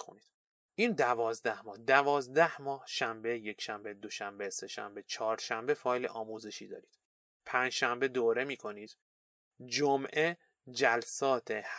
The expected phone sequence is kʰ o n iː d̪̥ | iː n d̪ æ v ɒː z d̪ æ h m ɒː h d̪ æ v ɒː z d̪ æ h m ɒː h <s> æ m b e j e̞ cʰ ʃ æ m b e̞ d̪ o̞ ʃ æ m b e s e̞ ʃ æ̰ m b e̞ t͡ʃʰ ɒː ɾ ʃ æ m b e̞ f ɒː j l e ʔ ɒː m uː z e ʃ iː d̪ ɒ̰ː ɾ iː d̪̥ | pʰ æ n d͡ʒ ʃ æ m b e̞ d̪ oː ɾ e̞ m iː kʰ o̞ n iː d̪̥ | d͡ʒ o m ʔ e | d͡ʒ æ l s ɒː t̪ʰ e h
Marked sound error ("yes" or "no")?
yes